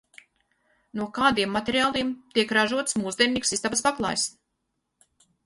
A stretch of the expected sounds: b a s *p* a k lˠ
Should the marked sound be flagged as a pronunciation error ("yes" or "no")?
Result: no